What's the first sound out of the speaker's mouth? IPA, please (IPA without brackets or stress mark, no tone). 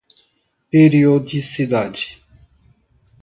p